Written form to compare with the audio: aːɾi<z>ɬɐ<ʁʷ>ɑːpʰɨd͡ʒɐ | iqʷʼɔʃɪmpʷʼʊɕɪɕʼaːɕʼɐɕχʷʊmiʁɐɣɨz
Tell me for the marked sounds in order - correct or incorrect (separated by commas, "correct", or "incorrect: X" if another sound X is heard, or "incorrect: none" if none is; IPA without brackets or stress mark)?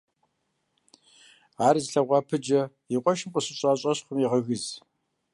correct, correct